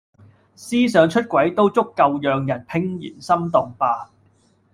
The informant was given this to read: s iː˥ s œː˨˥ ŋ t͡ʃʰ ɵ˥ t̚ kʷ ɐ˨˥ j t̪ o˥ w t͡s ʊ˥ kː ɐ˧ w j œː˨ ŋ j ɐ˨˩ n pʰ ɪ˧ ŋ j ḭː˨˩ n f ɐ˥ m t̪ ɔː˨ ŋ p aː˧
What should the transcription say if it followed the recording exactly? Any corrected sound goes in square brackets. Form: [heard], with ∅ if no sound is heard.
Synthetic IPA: s iː˥ s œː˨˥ ŋ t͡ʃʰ ɵ˥ t̚ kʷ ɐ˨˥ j t̪ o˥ w t͡s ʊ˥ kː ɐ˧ w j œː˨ ŋ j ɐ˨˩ n pʰ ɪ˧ ŋ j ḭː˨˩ n [s] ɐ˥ m t̪ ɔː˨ ŋ p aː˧

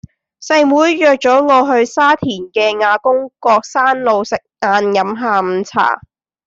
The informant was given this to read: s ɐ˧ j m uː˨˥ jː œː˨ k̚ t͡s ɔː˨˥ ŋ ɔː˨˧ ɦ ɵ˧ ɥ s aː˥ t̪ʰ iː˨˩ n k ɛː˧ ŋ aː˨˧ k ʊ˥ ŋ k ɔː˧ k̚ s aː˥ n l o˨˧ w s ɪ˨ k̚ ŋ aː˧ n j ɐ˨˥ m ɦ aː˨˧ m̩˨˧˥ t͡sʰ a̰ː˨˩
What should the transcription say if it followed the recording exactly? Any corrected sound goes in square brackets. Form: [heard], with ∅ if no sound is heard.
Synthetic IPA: s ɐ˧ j m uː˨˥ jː œː˨ k̚ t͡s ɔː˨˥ ŋ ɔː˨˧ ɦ ɵ˧ ɥ s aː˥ t̪ʰ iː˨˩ n k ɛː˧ ŋ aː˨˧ k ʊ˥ ŋ k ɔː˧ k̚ s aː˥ n l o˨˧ w s ɪ˨ k̚ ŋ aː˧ n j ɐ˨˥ m ɦ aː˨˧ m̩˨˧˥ t͡sʰ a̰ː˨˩

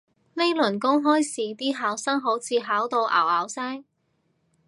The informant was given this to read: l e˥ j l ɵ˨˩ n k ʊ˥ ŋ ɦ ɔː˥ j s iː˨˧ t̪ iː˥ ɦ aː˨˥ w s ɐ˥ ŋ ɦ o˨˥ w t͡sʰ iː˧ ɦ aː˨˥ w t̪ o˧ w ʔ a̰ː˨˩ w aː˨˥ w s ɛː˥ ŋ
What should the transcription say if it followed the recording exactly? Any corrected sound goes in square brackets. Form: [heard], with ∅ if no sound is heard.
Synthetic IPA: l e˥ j l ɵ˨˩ n k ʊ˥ ŋ ɦ ɔː˥ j s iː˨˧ t̪ iː˥ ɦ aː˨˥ w s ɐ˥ ŋ ɦ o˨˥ w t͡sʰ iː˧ ɦ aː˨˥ w t̪ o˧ w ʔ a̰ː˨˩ w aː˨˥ w s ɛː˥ ŋ

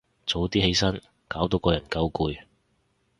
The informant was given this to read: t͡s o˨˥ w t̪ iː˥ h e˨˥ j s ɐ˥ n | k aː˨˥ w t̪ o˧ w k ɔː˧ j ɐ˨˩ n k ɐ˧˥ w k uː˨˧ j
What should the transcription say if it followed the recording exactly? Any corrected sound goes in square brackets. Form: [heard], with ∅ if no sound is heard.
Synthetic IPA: t͡s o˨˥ w t̪ iː˥ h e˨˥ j s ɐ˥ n | k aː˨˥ w t̪ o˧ w k ɔː˧ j ɐ˨˩ n k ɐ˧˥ w k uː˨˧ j

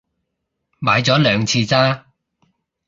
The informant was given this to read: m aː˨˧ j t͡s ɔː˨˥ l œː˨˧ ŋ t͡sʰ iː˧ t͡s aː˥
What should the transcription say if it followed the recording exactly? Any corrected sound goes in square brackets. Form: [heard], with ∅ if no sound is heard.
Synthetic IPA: m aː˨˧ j t͡s ɔː˨˥ l œː˨˧ ŋ t͡sʰ iː˧ t͡s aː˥

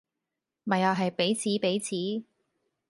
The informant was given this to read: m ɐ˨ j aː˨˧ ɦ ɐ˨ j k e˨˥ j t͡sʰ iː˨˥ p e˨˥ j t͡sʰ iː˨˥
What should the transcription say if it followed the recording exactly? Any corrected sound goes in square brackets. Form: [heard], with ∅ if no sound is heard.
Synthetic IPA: m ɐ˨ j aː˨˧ ɦ ɐ˨ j [p] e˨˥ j t͡sʰ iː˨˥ p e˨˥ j t͡sʰ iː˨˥

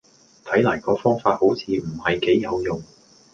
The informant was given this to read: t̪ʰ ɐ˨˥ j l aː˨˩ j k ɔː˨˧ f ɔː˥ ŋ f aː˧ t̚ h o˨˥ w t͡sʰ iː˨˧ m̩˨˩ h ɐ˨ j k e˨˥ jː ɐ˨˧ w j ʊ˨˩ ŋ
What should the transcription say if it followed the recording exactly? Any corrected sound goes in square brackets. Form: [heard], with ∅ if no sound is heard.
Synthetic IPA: t̪ʰ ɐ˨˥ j l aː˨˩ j k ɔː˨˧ f ɔː˥ ŋ f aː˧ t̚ h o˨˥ w t͡sʰ iː˨˧ m̩˨˩ h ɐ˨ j k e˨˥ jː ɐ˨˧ w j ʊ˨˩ ŋ

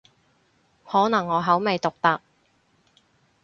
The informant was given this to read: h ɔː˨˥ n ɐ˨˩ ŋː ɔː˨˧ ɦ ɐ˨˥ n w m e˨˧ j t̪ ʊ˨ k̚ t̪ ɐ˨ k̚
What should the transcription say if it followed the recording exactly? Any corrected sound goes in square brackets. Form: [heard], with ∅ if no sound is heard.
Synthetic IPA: h ɔː˨˥ n ɐ˨˩ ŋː ɔː˨˧ ɦ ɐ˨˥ [∅] w m e˨˧ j t̪ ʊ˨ k̚ t̪ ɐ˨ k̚

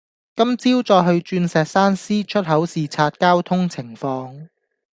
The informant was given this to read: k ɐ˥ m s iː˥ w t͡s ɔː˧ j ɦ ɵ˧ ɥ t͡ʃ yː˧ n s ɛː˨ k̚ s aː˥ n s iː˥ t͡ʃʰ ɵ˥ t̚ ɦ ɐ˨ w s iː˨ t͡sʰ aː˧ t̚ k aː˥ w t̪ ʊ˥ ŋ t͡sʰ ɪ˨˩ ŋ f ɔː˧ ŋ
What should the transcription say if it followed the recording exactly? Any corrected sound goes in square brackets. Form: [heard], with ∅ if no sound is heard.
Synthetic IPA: k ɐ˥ m [t͡s] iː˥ w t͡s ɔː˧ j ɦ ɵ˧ ɥ t͡ʃ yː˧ n s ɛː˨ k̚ s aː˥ n s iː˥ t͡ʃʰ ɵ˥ t̚ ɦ [ɐ˨˥] w s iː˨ t͡sʰ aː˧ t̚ k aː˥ w [t̪ʰ] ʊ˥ ŋ t͡sʰ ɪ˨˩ ŋ f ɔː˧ ŋ

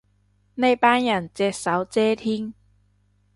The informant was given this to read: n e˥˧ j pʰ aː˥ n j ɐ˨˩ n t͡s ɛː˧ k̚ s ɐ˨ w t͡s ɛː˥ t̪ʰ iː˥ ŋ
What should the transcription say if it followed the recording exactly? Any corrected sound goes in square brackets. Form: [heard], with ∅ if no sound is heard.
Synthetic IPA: n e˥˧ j [p] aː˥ n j ɐ˨˩ n t͡s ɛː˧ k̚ s [ɐ˨˥] w t͡s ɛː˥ t̪ʰ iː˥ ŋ

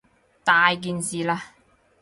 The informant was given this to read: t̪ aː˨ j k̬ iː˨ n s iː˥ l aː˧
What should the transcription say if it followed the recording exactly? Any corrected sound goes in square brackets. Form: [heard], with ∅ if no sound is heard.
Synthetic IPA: t̪ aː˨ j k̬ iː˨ n s [iː˨] l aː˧

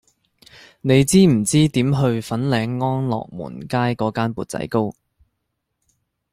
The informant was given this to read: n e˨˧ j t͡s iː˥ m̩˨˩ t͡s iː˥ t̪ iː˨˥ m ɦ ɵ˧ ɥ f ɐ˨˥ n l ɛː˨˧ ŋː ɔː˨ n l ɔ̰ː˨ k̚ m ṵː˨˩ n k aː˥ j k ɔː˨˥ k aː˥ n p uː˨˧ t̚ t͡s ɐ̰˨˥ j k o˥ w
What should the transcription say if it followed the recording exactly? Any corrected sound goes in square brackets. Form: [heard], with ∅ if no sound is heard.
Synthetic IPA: n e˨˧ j t͡s iː˥ m̩˨˩ t͡s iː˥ t̪ iː˨˥ m ɦ ɵ˧ ɥ f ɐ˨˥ n l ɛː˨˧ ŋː [ɔː˥] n l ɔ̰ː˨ k̚ m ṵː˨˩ n k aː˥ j k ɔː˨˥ k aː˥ n p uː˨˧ t̚ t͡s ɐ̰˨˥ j k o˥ w

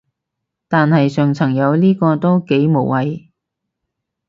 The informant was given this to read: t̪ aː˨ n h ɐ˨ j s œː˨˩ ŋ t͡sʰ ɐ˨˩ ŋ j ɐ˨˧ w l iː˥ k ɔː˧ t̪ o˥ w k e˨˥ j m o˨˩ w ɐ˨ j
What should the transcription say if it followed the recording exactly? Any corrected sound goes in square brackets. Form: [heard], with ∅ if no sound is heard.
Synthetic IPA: t̪ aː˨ n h ɐ˨ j s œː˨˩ ŋ t͡sʰ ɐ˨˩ ŋ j ɐ˨˧ w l iː˥ k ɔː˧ t̪ o˥ w k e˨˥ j m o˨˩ w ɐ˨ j

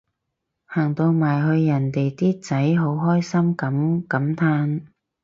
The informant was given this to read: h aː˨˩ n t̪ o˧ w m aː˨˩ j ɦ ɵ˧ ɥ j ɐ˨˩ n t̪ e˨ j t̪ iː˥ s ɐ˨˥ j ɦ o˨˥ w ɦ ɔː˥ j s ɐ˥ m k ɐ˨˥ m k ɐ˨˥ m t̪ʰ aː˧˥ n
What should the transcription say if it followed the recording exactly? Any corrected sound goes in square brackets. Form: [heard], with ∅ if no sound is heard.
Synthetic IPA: h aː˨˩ [ŋ] t̪ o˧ w m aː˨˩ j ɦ ɵ˧ ɥ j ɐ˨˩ n t̪ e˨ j t̪ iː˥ [t͡s] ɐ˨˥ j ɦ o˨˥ w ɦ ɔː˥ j s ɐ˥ m k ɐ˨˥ m k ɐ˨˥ m t̪ʰ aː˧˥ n

